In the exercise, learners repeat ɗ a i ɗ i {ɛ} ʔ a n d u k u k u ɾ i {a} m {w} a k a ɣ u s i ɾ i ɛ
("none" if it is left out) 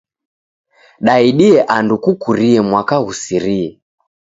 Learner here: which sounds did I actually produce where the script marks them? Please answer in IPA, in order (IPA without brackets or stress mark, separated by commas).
ɛ, ɛ, w